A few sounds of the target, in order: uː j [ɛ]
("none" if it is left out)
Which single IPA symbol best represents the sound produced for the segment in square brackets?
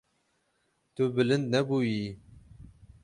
i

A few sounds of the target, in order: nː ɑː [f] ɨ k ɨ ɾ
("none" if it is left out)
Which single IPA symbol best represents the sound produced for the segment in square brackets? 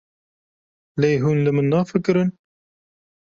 f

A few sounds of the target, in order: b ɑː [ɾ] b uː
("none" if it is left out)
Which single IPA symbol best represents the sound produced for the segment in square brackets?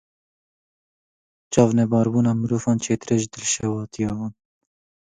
ɾ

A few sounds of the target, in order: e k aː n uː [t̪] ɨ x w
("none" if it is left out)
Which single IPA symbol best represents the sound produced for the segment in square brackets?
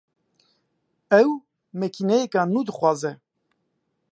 d̪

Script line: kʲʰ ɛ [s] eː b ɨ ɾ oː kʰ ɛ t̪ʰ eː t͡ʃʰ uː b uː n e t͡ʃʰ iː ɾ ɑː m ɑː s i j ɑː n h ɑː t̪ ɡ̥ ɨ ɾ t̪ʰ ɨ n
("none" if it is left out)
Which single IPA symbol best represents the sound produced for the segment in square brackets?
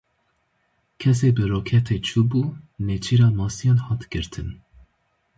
s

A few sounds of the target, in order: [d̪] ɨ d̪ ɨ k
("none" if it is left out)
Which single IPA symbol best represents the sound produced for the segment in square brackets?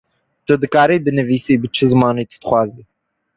t̪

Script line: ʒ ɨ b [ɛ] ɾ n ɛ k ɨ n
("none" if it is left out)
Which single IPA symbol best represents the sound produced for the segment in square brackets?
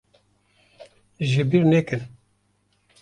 i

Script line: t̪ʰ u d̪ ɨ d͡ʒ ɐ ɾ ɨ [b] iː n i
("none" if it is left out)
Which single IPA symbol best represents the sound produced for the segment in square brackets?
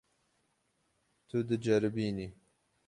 b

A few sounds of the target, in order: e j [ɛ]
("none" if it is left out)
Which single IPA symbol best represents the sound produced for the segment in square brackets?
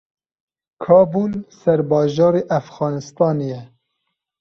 ɛ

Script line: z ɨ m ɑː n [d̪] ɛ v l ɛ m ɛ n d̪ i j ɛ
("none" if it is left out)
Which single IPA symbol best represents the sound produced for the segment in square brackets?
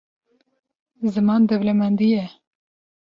d̪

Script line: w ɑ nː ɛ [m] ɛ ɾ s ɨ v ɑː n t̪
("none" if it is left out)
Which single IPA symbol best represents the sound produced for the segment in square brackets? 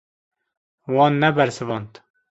b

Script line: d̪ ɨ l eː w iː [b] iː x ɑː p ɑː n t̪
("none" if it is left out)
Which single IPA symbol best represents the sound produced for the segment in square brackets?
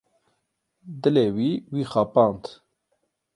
w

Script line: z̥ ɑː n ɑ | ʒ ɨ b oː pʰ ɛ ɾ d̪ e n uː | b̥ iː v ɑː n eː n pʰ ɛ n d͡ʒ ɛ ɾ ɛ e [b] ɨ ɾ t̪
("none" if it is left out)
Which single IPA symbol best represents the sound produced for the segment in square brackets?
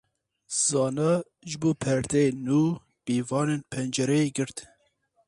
ɡ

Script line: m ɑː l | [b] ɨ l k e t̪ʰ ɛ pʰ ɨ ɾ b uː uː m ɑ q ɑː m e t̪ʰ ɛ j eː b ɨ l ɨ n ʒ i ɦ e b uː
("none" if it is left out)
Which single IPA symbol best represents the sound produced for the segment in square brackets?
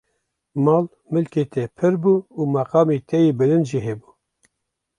m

